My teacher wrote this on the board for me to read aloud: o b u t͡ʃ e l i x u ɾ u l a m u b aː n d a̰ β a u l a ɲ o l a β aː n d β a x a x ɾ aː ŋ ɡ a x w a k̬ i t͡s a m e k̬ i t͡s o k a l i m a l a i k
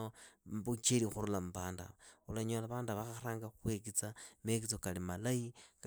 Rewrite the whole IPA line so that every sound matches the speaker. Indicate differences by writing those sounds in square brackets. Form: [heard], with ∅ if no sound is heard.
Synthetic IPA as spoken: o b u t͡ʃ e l i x u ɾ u l a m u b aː n d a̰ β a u l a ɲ o l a β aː n d β a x a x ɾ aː ŋ ɡ a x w [e] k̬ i t͡s a m e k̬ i t͡s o k a l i m a l a i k